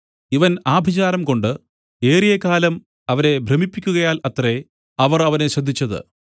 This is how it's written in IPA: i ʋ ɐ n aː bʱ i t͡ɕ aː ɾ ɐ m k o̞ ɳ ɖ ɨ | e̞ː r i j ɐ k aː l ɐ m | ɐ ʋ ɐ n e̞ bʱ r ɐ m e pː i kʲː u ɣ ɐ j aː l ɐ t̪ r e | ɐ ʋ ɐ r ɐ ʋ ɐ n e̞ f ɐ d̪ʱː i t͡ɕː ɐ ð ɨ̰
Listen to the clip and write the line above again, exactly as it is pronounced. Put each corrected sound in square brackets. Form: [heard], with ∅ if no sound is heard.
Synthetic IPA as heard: i ʋ ɐ n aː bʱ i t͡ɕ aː ɾ ɐ m k o̞ ɳ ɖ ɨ | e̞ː r i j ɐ k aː l ɐ m | ɐ ʋ ɐ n e̞ bʱ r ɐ m [i] pː i kʲː u ɣ ɐ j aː l ɐ t̪ r e | ɐ ʋ ɐ r ɐ ʋ ɐ n e̞ [ɕ] ɐ d̪ʱː i t͡ɕː ɐ ð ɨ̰